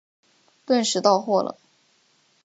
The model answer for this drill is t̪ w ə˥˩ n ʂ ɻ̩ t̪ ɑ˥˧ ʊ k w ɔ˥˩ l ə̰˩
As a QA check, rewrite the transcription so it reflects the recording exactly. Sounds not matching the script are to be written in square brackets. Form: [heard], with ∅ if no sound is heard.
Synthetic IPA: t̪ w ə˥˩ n ʂ ɻ̩ t̪ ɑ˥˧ ʊ [x] w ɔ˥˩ l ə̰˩